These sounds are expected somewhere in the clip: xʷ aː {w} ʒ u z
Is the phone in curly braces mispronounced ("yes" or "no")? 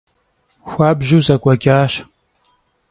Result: yes